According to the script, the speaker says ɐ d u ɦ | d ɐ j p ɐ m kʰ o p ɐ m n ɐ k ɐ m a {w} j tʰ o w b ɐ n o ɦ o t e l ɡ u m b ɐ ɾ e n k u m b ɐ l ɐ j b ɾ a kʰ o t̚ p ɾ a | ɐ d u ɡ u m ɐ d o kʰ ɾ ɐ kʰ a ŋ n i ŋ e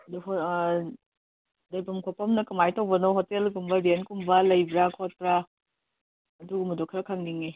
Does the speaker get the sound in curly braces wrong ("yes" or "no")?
yes